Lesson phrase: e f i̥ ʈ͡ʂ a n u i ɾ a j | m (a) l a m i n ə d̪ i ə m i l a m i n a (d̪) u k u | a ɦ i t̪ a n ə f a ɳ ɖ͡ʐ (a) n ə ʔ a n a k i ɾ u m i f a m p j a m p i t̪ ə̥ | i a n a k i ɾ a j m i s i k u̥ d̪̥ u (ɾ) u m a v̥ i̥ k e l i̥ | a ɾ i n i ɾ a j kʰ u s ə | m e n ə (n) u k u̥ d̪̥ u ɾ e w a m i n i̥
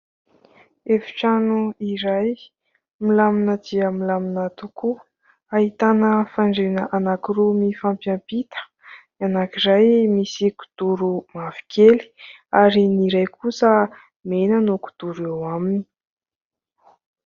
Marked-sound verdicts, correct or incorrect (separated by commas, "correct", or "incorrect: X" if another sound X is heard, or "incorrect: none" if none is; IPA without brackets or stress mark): incorrect: i, incorrect: t̪, incorrect: e, correct, correct